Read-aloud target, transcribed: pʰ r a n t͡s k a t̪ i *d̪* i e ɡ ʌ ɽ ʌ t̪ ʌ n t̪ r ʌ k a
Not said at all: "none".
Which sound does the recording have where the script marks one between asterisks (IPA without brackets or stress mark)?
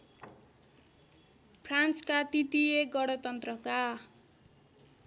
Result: t̪